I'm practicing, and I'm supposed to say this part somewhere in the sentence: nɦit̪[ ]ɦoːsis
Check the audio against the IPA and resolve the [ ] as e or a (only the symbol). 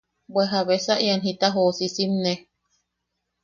a